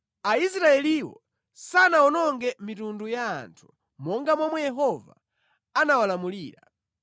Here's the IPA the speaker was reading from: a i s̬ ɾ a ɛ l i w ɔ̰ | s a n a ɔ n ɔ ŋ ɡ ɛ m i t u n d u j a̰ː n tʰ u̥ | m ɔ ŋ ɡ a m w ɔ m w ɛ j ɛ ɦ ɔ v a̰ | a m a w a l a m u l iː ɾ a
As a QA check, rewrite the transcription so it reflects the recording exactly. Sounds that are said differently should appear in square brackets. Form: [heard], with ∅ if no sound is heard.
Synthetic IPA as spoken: a i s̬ ɾ a ɛ l i w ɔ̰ | s a n a ɔ n ɔ ŋ ɡ ɛ m i t u n d u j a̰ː n tʰ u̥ | m ɔ ŋ ɡ a m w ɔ m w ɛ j ɛ ɦ ɔ v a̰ | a [n] a w a l a m u l iː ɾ a